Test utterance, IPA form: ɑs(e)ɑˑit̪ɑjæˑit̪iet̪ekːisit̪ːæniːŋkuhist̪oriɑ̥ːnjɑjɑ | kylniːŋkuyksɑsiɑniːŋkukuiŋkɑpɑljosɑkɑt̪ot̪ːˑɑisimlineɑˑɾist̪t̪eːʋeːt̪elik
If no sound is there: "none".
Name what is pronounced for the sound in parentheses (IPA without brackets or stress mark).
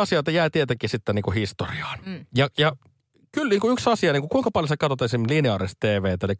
i